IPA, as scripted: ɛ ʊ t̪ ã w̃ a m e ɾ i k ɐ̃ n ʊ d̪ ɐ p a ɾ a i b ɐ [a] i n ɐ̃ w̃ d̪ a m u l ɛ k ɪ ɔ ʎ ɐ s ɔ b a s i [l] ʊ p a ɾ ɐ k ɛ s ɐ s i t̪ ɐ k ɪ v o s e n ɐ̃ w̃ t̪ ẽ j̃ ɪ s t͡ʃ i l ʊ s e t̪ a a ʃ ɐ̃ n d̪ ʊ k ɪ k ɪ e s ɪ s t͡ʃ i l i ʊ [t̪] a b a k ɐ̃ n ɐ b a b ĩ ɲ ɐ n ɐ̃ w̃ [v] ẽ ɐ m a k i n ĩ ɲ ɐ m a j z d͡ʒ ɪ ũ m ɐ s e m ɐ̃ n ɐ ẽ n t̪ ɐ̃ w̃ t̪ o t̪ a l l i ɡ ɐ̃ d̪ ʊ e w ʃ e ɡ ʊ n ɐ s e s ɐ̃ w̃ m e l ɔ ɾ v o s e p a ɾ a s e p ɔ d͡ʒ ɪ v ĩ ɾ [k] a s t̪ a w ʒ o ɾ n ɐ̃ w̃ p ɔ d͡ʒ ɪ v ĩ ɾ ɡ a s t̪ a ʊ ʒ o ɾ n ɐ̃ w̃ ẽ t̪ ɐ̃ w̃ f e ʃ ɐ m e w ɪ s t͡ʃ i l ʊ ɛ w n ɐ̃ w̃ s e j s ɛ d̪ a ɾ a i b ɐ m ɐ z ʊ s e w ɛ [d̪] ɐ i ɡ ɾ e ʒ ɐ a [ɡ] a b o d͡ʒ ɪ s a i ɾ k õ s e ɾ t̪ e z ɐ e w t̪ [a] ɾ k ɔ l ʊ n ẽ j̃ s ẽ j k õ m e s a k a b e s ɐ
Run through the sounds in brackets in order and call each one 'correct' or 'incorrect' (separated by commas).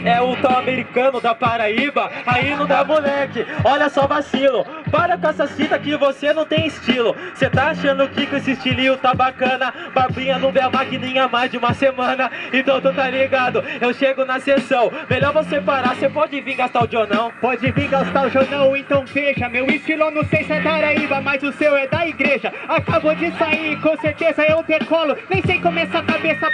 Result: correct, correct, correct, correct, incorrect, correct, incorrect, incorrect